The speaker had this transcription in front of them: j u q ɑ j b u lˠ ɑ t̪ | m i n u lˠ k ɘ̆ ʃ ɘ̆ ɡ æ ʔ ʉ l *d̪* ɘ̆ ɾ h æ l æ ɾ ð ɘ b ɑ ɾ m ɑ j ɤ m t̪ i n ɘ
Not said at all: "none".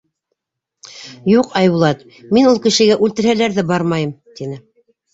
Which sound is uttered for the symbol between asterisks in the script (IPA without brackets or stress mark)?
t̪